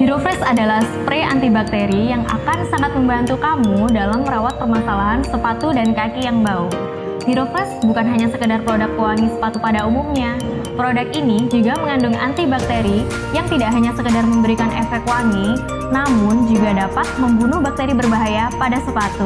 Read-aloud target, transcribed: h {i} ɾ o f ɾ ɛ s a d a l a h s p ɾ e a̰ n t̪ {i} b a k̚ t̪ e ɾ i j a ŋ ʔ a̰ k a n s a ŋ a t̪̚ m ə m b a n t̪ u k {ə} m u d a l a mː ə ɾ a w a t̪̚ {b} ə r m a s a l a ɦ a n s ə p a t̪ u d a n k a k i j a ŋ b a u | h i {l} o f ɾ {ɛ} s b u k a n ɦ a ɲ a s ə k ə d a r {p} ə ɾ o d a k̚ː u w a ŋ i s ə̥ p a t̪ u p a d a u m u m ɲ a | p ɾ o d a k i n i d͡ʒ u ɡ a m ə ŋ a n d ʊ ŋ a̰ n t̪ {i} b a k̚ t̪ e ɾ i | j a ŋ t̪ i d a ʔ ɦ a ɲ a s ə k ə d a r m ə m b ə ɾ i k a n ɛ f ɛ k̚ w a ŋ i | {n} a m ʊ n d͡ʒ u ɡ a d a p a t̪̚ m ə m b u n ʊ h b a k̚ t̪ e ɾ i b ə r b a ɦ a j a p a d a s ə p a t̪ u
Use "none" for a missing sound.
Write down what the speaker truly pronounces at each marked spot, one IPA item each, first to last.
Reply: i, i, a, p, ɾ, ɛ, p, i, n

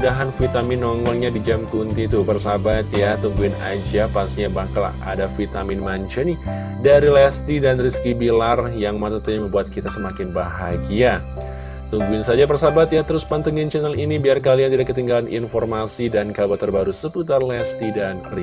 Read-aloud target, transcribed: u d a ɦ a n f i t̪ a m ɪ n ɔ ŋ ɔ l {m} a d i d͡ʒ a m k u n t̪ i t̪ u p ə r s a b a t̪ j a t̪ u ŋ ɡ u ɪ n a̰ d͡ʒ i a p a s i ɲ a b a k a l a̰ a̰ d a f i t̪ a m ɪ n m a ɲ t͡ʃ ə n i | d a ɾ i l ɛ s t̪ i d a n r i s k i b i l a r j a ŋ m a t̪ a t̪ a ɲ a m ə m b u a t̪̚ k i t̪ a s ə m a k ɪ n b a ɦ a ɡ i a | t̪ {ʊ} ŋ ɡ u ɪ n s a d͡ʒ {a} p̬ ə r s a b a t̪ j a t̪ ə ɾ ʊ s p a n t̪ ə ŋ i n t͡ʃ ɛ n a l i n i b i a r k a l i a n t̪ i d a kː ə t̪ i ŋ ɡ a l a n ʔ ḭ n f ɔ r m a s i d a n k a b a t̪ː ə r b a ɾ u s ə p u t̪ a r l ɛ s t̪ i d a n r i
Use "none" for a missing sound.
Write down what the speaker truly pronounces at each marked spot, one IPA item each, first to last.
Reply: ɲ, u, a

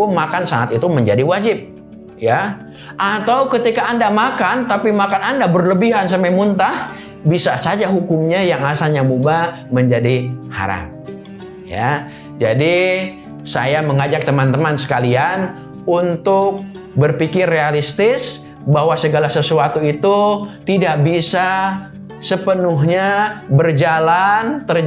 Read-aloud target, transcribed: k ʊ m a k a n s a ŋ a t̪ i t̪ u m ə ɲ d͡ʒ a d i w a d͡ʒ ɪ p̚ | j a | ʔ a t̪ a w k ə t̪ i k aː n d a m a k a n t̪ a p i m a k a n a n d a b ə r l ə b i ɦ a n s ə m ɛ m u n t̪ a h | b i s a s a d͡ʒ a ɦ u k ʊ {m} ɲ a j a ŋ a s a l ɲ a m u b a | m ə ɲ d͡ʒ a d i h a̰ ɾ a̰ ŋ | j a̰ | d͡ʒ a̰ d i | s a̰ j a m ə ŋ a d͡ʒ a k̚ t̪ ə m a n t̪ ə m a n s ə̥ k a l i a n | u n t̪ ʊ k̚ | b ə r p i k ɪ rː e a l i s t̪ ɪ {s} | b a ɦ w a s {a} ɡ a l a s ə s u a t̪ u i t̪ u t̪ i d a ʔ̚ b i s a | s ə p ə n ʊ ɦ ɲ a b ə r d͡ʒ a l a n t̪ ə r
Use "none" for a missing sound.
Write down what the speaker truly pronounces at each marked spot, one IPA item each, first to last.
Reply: m, s, ə

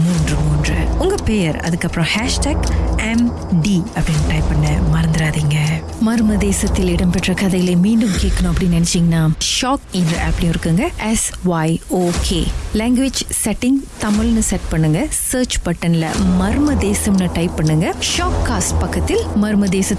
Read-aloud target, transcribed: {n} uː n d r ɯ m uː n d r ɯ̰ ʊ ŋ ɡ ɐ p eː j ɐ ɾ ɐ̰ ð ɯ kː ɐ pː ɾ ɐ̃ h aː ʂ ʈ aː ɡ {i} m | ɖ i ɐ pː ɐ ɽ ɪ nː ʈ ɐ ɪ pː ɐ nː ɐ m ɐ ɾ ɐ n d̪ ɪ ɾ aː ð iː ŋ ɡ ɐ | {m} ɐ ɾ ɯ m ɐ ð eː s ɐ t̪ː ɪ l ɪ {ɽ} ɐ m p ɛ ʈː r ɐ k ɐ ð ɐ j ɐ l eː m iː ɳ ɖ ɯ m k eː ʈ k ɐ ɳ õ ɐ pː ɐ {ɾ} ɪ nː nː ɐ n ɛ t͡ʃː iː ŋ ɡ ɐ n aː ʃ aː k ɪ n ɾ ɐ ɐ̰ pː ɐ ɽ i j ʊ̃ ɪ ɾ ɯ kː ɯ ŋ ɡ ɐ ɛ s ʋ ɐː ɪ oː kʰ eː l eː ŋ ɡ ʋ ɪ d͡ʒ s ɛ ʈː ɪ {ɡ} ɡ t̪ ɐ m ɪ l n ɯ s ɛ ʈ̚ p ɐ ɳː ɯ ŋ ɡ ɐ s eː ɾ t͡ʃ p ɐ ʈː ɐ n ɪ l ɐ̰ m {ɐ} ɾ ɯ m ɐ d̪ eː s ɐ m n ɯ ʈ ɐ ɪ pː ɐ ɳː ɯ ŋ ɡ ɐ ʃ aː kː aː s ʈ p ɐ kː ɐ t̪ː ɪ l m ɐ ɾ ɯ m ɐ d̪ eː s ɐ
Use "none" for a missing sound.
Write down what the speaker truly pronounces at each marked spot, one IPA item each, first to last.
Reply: m, ɛ, m, ɽ, ɽ, ŋ, ɐ

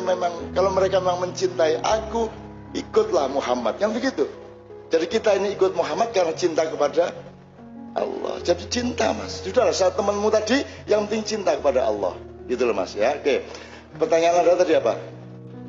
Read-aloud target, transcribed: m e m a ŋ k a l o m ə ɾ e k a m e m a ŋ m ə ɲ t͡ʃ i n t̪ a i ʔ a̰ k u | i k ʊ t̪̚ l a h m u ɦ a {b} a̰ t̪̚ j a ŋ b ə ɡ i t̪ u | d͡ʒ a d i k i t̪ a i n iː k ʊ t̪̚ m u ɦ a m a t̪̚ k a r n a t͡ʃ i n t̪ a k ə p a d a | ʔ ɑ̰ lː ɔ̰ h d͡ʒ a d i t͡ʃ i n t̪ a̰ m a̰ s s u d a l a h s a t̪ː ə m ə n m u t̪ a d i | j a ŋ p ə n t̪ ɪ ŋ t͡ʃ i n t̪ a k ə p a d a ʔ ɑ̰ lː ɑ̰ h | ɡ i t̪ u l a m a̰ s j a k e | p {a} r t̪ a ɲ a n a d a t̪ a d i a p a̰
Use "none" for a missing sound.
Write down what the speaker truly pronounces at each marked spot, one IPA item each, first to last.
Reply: m, ə

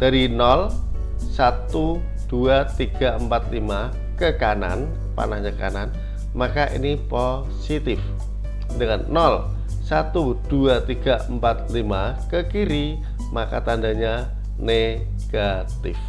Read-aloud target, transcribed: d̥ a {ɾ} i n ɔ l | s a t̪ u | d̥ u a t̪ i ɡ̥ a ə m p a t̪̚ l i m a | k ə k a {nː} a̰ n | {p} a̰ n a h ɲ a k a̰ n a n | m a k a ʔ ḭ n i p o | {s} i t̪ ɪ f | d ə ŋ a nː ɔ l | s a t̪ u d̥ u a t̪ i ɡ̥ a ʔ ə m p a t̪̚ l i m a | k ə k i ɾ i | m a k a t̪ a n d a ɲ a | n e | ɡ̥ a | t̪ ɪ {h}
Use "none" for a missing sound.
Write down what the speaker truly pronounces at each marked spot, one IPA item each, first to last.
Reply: ɾ, n, p, s, f

